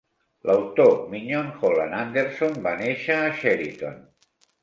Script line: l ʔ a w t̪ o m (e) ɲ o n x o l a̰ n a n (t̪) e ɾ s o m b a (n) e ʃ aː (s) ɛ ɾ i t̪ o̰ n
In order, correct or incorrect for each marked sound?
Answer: incorrect: i, incorrect: d̪, correct, incorrect: ʃ

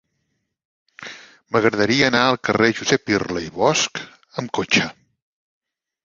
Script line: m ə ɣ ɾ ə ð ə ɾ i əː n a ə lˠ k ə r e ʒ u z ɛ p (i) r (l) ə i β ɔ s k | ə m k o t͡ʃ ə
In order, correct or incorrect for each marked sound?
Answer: correct, correct

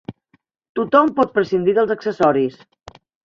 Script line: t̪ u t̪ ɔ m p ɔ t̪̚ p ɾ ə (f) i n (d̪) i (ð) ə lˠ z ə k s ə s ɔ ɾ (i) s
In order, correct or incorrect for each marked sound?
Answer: incorrect: s, correct, correct, correct

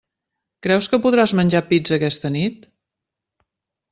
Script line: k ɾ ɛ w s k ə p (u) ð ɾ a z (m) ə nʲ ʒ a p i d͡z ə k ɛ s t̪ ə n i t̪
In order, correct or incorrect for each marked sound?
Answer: correct, correct

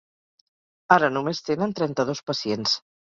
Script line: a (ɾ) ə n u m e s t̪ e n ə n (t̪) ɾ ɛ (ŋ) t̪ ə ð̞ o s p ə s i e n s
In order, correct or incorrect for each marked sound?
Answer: correct, correct, incorrect: n

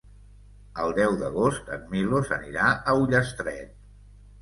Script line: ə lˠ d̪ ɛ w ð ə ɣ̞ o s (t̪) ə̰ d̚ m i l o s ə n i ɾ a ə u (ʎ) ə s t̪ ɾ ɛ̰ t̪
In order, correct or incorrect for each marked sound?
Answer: correct, correct

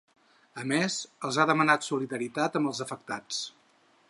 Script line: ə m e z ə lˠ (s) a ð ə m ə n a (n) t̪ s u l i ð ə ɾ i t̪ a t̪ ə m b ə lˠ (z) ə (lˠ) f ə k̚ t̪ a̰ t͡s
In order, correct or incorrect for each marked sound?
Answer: incorrect: z, incorrect: none, correct, incorrect: none

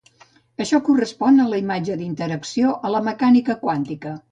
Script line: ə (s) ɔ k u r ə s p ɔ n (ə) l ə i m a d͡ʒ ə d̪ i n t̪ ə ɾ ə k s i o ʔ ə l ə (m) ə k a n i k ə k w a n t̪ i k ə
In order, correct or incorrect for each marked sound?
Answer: incorrect: ʃ, correct, correct

